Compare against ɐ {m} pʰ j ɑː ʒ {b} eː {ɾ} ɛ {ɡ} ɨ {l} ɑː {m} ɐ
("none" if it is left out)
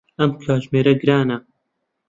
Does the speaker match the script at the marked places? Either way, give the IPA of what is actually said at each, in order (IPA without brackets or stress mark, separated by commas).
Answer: m, m, ɾ, ɡ, ɾ, n